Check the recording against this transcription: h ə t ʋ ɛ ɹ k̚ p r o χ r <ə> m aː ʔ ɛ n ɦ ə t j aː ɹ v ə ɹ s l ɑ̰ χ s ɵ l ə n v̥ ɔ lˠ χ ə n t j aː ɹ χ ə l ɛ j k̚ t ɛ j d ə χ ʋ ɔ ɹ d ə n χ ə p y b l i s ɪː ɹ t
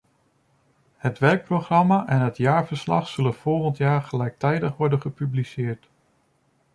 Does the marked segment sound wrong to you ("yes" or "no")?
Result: yes